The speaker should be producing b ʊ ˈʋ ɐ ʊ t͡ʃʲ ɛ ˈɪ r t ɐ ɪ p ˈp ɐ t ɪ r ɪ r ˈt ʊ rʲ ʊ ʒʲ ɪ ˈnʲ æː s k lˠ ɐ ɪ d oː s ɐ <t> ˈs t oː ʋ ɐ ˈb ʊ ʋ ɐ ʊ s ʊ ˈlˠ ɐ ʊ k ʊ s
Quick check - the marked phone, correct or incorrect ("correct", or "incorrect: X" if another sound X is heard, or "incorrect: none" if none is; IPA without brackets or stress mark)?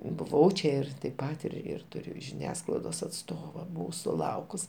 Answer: correct